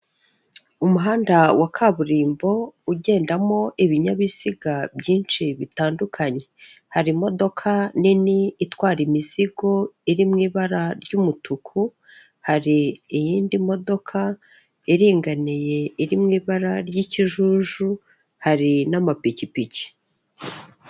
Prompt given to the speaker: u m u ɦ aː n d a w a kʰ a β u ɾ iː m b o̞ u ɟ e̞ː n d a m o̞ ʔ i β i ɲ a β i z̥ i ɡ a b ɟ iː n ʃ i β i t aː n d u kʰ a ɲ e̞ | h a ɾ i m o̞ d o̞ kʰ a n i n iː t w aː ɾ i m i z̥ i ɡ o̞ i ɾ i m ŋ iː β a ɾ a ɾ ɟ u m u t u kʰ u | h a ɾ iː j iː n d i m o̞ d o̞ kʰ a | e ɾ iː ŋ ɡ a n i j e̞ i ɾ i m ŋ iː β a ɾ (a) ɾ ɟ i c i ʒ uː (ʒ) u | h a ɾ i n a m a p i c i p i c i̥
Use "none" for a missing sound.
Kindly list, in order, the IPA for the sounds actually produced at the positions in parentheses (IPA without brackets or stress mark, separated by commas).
a, ʒ